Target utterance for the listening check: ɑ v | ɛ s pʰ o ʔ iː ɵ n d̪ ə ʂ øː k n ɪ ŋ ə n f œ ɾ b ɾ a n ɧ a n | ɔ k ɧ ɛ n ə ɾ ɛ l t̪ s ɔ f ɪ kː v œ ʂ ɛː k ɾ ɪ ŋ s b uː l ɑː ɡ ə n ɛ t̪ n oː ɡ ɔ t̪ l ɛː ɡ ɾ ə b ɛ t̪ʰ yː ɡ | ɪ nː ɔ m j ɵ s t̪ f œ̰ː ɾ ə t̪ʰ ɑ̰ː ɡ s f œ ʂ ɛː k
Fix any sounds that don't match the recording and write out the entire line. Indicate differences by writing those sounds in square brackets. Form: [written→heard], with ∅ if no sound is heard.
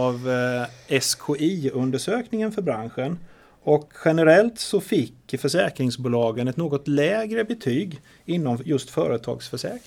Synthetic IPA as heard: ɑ v | ɛ s [pʰ→kʰ] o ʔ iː ɵ n d̪ ə ʂ øː k n ɪ ŋ ə n f œ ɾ b ɾ a n ɧ [a→ə] n | ɔ k ɧ ɛ n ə ɾ ɛ l t̪ s ɔ f ɪ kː [v→f] œ ʂ ɛː k ɾ ɪ ŋ s b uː l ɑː ɡ ə n ɛ t̪ n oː ɡ ɔ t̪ l ɛː ɡ ɾ ə b ɛ t̪ʰ yː ɡ | ɪ nː ɔ m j ɵ s t̪ f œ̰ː ɾ ə t̪ʰ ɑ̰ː ɡ s f œ ʂ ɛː k